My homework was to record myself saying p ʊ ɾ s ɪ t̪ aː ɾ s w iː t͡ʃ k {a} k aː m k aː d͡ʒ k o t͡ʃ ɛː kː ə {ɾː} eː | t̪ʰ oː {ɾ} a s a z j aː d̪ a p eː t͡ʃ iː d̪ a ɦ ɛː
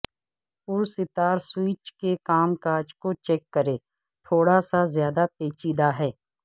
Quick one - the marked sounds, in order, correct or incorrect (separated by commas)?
incorrect, incorrect, incorrect